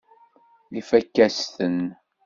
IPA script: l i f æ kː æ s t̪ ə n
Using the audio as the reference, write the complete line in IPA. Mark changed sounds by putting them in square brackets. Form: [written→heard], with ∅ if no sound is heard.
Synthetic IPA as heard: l i f æ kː æ s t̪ ə n